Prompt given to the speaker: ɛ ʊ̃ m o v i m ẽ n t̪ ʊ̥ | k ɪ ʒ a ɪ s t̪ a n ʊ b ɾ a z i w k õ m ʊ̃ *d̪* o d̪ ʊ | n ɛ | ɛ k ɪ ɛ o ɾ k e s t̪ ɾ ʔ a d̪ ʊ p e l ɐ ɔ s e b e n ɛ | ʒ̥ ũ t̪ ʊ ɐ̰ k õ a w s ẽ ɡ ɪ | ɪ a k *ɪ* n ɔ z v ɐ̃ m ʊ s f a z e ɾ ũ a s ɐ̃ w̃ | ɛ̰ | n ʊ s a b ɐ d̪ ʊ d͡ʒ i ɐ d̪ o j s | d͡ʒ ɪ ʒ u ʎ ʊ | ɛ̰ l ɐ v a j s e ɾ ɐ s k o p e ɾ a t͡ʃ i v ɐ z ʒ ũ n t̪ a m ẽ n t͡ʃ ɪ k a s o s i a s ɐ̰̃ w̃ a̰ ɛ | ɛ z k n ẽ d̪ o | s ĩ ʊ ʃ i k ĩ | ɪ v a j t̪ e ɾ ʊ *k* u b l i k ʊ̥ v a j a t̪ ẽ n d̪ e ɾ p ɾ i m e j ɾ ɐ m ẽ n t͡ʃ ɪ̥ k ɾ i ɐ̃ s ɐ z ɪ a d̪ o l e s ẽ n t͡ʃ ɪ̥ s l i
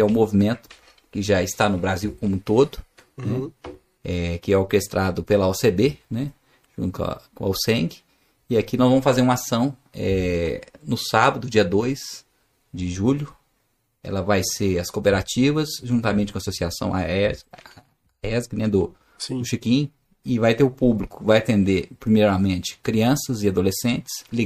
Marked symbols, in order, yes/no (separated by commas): no, no, no